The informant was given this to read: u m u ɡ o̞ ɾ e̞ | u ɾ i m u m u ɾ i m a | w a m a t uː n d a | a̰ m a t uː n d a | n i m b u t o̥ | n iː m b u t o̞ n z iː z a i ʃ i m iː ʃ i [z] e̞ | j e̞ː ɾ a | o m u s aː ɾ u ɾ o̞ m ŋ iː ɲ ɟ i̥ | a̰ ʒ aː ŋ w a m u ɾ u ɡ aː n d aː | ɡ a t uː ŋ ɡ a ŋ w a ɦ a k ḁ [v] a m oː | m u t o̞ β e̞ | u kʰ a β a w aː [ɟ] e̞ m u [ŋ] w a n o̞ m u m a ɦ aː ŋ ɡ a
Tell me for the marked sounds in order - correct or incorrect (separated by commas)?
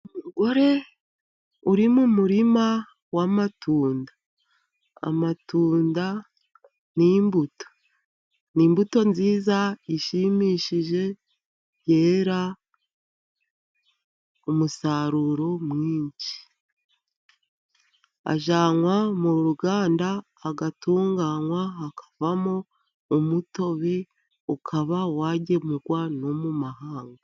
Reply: incorrect, correct, correct, incorrect